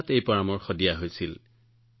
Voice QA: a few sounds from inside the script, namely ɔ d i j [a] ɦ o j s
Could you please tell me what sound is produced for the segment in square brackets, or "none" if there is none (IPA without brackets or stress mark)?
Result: a